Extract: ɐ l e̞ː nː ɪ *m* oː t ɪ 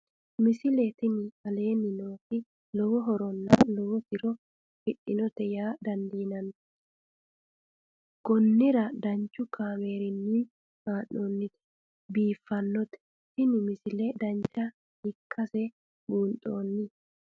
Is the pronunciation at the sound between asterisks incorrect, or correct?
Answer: incorrect